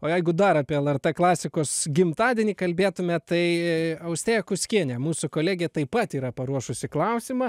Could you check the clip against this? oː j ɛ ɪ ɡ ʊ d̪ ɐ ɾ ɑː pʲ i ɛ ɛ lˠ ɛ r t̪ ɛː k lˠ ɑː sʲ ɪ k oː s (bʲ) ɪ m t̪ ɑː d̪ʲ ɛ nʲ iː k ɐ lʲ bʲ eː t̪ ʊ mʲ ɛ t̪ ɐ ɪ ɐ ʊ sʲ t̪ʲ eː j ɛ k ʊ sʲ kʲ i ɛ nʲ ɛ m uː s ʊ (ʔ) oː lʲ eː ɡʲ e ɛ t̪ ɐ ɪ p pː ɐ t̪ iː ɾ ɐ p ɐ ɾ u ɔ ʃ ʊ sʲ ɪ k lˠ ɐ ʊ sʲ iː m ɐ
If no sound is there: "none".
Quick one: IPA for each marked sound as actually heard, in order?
ɡʲ, k

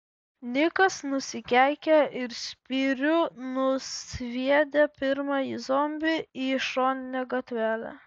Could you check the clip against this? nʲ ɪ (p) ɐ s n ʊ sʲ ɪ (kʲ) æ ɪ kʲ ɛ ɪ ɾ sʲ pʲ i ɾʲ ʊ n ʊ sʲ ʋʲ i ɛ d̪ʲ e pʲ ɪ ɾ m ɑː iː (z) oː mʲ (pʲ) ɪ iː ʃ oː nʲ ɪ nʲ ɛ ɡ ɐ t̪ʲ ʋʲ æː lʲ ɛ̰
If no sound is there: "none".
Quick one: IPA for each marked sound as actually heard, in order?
k, kʲ, z, bʲ

